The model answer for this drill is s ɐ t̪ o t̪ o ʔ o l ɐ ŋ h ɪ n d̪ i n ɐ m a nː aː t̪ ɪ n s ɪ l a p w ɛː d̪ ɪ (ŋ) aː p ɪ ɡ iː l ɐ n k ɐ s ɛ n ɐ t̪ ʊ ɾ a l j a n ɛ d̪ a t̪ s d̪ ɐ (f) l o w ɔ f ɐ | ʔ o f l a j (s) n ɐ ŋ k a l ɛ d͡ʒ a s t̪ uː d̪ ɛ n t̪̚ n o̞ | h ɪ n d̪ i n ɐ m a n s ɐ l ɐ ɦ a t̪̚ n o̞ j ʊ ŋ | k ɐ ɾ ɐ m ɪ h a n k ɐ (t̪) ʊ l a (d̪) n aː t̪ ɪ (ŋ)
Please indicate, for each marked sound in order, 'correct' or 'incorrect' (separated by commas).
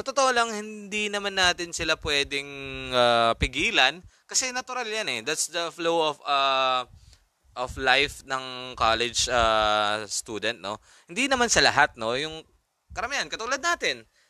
correct, correct, incorrect, correct, correct, incorrect